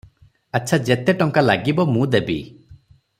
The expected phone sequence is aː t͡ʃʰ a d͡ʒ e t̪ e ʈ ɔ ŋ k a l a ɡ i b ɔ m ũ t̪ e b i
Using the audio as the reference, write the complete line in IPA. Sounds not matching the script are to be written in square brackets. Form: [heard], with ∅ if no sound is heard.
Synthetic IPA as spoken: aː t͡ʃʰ a d͡ʒ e t̪ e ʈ ɔ ŋ k a l a ɡ i b ɔ m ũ [d̪] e b i